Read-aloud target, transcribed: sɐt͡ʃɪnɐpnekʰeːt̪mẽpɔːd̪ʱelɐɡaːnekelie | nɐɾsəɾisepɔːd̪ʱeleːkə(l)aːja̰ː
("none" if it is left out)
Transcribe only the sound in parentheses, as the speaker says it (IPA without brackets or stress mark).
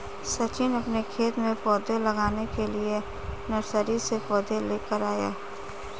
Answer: ɾ